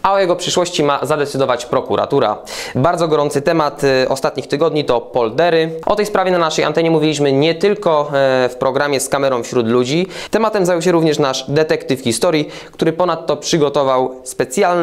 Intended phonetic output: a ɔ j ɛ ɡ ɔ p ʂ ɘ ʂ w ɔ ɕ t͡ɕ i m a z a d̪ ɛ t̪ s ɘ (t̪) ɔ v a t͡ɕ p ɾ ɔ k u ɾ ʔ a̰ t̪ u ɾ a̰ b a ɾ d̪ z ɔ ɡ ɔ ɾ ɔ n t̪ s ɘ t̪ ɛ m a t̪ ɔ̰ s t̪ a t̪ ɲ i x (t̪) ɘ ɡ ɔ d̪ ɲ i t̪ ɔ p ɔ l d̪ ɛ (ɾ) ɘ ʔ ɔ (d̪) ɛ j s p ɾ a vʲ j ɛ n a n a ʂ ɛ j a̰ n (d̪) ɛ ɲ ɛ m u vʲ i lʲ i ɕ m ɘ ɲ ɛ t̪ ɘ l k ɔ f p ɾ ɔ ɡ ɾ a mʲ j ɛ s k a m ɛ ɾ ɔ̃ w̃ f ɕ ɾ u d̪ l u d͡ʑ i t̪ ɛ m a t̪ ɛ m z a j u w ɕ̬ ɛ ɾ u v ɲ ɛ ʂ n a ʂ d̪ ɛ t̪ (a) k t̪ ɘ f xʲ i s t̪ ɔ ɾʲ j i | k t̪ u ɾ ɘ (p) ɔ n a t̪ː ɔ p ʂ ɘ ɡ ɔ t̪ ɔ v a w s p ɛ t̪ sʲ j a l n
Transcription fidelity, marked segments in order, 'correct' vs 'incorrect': incorrect, correct, correct, incorrect, incorrect, incorrect, correct

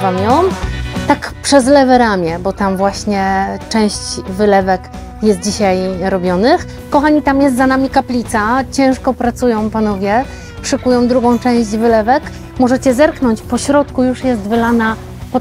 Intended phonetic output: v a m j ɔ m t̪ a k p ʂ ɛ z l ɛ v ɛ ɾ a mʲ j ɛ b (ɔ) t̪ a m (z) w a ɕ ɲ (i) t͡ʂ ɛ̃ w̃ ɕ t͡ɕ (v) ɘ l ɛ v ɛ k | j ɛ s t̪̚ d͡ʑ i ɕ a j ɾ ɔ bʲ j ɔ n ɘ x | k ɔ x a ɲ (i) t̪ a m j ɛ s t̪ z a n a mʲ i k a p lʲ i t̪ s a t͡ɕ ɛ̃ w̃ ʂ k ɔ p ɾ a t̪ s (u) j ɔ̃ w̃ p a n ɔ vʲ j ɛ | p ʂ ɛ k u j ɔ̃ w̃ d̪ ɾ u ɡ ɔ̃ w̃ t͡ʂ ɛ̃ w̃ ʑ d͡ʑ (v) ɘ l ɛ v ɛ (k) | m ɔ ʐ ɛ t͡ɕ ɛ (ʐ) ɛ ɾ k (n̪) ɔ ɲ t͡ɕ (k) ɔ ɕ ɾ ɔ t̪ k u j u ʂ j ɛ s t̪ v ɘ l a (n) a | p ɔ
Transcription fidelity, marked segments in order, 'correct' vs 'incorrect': correct, incorrect, incorrect, correct, correct, correct, correct, correct, incorrect, correct, incorrect, correct

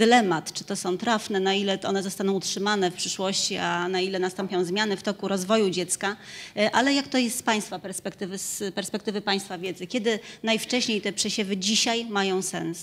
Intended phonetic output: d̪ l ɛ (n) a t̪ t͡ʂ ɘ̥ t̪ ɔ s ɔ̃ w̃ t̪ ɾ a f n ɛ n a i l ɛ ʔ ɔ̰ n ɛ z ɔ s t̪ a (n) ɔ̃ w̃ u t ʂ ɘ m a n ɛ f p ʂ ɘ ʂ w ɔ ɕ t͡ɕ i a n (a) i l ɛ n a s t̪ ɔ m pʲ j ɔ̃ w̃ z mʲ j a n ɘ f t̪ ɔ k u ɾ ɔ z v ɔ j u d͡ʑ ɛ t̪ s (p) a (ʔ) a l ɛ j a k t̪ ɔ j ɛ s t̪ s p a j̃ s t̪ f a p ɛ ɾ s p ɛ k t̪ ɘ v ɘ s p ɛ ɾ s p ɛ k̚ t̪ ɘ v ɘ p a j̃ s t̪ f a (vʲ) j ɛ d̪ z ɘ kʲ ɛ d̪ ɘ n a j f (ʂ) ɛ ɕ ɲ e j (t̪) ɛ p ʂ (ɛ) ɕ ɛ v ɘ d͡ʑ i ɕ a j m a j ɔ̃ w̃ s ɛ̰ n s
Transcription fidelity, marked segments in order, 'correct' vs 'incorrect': incorrect, correct, correct, incorrect, correct, correct, incorrect, correct, correct

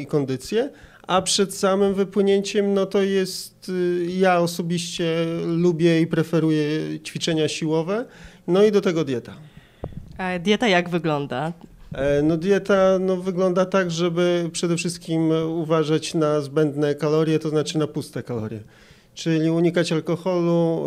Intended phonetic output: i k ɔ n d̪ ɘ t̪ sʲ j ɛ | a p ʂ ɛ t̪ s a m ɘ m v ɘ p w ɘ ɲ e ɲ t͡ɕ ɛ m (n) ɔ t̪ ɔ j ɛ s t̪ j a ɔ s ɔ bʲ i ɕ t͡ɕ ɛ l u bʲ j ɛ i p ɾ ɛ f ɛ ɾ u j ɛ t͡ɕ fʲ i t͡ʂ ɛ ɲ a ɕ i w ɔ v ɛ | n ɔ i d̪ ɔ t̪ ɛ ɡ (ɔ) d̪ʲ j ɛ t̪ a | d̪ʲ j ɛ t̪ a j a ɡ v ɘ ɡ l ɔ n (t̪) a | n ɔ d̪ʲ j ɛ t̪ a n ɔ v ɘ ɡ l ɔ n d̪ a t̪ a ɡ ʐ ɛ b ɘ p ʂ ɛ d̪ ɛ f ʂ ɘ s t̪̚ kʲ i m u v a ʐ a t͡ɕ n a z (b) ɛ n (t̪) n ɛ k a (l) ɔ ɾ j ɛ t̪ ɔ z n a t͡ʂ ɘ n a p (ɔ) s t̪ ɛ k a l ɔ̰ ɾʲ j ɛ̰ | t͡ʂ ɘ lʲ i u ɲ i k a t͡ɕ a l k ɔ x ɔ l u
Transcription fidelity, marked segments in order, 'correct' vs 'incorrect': correct, correct, incorrect, correct, incorrect, correct, incorrect

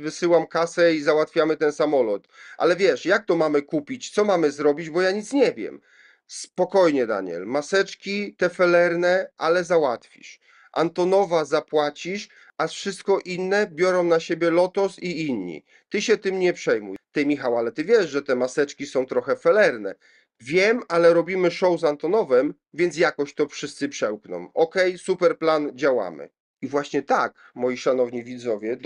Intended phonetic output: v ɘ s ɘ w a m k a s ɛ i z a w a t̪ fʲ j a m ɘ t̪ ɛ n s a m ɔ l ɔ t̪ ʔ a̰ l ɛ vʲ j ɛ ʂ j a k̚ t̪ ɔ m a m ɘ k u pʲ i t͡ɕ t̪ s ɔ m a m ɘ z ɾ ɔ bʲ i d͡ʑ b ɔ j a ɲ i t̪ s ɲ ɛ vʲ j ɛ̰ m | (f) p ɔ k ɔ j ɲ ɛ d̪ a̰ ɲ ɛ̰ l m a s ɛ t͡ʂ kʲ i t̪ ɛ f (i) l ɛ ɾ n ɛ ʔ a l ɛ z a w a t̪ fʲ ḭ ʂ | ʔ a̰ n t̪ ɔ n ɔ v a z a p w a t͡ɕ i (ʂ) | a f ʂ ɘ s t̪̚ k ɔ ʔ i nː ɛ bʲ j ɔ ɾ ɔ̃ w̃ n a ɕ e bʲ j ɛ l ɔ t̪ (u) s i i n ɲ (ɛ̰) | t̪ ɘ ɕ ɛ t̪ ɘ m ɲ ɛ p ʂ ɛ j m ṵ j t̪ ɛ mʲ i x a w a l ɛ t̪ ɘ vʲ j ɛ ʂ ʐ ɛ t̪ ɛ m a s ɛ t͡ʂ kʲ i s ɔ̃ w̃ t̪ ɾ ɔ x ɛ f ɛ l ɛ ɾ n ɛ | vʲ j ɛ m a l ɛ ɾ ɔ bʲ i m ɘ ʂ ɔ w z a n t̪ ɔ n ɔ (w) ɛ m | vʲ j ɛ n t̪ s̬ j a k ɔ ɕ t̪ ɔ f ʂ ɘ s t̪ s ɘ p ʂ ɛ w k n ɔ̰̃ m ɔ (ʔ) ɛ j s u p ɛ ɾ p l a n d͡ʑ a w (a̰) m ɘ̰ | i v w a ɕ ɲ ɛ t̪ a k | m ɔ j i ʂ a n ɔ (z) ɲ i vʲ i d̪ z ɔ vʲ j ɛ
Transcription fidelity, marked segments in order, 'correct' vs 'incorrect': incorrect, incorrect, correct, incorrect, incorrect, incorrect, incorrect, correct, incorrect

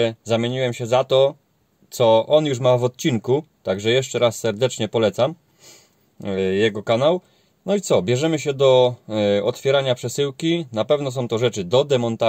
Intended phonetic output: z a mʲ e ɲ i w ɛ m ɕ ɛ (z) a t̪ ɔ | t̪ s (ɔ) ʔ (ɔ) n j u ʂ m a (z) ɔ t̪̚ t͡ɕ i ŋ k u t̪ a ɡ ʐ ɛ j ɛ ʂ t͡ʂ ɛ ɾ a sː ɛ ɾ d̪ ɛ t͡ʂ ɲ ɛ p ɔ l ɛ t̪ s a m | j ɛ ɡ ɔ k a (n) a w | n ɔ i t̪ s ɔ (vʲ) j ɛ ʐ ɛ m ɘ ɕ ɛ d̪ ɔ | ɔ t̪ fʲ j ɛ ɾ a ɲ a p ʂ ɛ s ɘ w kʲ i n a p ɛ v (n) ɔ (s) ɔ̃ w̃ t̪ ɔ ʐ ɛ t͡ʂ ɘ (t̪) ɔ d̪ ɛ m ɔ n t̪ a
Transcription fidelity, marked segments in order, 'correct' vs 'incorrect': correct, correct, correct, incorrect, correct, incorrect, correct, correct, incorrect

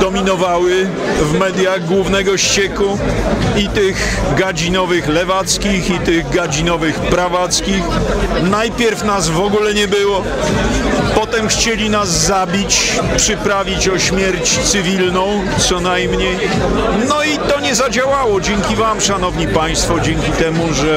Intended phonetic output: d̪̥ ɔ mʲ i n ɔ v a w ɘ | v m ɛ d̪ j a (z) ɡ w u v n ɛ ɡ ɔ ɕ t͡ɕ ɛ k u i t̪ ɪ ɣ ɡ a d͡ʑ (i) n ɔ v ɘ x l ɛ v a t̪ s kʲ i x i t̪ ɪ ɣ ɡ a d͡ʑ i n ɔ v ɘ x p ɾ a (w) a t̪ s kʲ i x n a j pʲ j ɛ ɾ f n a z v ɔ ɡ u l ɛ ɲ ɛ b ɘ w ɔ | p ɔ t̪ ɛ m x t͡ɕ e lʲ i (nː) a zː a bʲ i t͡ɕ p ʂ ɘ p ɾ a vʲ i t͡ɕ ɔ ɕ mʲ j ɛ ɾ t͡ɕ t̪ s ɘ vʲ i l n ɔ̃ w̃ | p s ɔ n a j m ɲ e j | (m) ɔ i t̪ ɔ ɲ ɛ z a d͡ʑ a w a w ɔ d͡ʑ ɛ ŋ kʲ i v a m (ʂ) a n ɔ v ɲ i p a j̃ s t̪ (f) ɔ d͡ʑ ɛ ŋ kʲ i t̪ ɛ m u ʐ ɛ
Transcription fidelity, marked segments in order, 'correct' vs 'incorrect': incorrect, correct, incorrect, incorrect, incorrect, correct, correct

